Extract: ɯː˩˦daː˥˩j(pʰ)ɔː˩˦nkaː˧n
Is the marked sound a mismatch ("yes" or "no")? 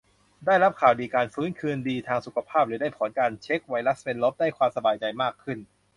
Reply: no